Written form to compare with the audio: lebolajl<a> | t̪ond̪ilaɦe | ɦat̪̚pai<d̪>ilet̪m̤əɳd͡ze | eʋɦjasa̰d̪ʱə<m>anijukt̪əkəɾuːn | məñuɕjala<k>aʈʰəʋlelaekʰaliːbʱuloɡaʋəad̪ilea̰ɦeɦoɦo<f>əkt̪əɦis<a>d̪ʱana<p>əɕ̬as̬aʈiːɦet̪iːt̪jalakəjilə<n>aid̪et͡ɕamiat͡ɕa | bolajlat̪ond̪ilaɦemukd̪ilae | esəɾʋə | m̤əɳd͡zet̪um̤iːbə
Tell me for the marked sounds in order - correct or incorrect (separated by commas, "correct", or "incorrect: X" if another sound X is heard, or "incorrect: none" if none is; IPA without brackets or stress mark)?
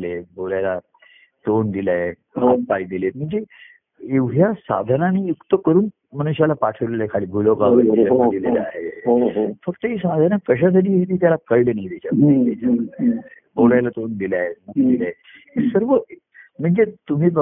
correct, correct, incorrect: n, incorrect: p, correct, correct, incorrect: k, correct